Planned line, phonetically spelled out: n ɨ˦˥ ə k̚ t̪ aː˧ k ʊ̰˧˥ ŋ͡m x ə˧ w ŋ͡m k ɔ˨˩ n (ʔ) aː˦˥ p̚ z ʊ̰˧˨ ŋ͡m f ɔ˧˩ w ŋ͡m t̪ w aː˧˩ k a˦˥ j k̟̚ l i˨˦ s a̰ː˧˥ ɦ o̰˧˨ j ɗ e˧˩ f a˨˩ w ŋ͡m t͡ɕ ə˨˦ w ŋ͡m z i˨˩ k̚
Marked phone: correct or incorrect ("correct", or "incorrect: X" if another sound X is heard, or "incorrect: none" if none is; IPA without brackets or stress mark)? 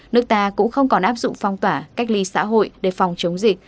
correct